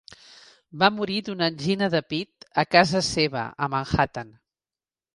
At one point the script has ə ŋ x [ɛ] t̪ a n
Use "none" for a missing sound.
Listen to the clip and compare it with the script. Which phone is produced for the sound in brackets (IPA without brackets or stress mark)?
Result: a